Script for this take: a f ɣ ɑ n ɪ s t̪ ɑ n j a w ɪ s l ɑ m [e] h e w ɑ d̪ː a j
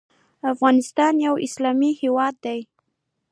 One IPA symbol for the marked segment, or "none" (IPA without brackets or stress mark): i